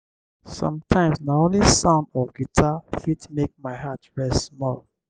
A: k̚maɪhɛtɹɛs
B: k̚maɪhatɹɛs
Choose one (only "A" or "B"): B